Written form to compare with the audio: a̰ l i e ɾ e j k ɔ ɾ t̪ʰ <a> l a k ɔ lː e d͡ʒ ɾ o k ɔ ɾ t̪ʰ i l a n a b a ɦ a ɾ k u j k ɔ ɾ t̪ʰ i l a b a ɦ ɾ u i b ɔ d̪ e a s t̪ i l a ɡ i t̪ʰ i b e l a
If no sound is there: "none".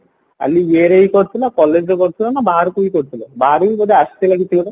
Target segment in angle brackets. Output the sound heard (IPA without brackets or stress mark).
i